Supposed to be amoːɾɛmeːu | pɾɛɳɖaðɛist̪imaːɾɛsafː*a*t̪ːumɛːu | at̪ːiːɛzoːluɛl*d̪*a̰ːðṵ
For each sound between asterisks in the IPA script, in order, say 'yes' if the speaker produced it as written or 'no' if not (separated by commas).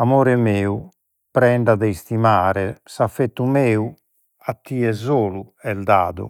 no, yes